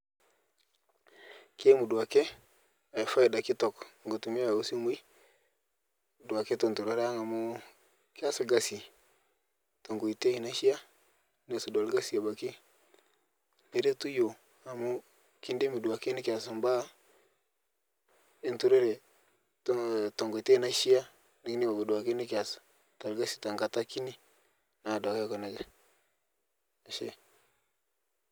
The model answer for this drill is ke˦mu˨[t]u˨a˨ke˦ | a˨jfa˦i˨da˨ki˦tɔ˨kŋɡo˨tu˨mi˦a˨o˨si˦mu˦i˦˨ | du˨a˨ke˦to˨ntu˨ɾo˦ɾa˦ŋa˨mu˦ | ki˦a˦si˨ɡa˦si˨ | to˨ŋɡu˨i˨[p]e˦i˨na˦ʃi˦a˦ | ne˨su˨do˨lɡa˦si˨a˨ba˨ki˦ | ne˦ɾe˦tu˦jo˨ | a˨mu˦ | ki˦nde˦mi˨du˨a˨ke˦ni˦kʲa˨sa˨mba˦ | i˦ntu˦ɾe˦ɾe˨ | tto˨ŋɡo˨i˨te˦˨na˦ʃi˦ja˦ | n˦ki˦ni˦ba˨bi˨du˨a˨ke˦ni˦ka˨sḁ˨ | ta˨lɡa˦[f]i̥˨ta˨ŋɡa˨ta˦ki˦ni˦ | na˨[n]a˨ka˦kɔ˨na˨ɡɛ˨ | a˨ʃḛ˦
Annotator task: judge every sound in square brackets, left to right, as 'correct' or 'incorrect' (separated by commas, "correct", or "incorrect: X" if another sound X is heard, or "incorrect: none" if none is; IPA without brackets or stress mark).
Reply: incorrect: d, incorrect: t, incorrect: s, incorrect: d